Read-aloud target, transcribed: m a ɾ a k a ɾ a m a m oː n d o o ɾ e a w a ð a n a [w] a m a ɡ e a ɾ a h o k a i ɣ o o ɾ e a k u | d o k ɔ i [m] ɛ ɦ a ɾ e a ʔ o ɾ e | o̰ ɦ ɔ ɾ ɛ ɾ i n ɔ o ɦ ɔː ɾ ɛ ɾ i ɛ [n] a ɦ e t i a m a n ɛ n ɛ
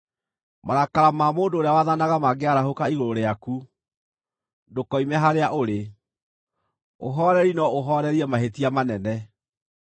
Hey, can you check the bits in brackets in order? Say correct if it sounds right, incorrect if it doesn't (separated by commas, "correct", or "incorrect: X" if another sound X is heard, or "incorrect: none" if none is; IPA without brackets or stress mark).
incorrect: ɣ, correct, incorrect: m